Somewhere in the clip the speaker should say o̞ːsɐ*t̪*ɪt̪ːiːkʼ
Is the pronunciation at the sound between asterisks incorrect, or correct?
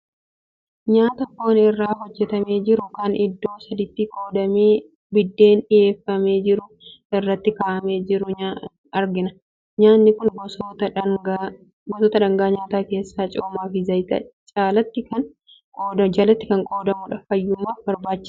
incorrect